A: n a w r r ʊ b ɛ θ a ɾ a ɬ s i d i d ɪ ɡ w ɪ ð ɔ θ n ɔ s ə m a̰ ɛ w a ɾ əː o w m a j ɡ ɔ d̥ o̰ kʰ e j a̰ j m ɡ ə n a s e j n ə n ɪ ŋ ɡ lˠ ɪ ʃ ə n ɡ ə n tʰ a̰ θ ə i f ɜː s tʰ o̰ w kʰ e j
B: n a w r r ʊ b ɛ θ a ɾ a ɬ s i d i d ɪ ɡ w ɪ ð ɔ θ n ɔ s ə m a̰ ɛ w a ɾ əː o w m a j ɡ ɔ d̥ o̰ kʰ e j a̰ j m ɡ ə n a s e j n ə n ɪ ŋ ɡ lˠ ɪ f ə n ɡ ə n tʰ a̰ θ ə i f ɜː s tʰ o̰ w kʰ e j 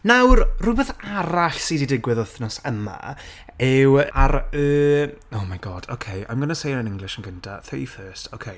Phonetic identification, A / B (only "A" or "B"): A